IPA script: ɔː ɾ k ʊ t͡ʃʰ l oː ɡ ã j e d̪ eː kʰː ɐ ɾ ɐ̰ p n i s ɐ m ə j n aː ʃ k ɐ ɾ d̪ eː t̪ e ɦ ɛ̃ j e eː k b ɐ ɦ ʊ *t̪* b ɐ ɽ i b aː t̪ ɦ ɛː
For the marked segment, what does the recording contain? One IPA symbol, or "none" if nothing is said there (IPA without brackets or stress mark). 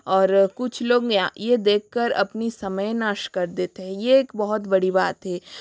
t̪